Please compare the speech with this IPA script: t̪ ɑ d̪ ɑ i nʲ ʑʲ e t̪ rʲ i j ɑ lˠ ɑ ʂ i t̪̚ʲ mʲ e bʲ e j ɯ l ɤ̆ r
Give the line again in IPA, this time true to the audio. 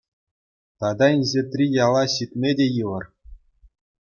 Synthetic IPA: t̪ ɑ d̪ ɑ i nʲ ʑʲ e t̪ rʲ i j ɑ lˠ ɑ ɕ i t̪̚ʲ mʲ e dʲ e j ɯ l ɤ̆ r